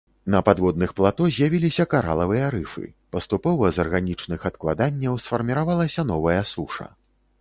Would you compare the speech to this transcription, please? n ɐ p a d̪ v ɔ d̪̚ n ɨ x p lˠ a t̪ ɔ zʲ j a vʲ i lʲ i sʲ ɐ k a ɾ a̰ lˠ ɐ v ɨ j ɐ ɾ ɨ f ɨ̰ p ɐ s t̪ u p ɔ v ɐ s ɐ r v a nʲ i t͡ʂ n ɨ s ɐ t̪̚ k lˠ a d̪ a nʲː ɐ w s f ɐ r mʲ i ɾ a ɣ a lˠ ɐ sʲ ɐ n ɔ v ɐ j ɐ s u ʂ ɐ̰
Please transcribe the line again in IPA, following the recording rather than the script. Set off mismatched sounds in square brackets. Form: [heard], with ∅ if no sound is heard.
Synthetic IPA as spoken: n ɐ p a d̪ v ɔ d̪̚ n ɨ x p lˠ a t̪ ɔ zʲ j a vʲ i lʲ i sʲ ɐ k a ɾ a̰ lˠ ɐ v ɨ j ɐ ɾ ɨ f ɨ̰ p ɐ s t̪ u p ɔ v ɐ [z] ɐ r [ɣ] a nʲ i t͡ʂ n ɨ [x] ɐ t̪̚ k lˠ a d̪ a nʲː ɐ w s f ɐ r mʲ i ɾ a [v] a lˠ ɐ sʲ ɐ n ɔ v ɐ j ɐ s u ʂ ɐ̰